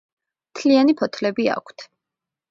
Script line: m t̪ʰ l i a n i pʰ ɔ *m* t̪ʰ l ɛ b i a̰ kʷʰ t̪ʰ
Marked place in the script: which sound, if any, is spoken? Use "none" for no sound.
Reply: none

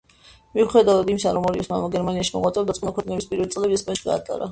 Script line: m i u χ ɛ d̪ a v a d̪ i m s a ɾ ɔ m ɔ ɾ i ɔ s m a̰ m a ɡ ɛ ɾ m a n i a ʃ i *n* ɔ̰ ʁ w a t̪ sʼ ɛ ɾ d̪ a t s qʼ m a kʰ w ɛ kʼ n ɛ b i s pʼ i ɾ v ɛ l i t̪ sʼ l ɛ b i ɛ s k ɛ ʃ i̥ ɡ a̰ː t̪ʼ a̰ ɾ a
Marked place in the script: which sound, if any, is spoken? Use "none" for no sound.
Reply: m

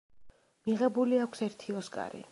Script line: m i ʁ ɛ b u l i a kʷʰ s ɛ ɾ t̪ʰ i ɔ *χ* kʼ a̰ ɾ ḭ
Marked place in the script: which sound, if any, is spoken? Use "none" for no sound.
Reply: s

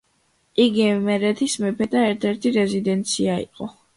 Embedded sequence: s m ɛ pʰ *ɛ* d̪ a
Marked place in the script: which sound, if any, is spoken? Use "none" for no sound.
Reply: ɛ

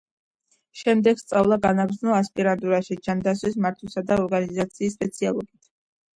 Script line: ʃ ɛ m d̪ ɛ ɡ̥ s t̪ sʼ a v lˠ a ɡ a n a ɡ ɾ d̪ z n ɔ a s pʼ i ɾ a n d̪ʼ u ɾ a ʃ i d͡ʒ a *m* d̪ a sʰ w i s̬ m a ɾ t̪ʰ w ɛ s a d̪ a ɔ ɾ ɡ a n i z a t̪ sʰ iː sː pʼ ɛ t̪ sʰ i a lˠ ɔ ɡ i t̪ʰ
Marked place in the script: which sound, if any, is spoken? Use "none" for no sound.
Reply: n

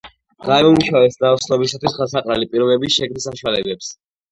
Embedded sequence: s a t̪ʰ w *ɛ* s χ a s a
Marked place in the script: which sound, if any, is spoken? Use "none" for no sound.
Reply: i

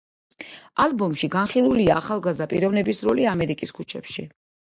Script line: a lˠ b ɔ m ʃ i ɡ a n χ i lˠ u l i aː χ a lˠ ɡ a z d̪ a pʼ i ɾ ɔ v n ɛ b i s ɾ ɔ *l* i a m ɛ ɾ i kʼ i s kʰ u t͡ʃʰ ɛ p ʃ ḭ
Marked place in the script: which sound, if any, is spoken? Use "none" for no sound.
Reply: l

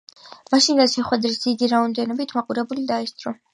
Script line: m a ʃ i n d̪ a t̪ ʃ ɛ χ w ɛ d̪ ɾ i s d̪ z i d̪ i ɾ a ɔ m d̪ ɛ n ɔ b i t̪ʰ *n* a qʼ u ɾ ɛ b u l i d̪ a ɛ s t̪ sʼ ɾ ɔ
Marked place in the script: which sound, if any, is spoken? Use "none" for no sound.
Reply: m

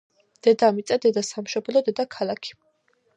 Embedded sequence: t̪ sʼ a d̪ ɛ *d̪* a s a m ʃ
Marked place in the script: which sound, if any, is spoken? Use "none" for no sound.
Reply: d̪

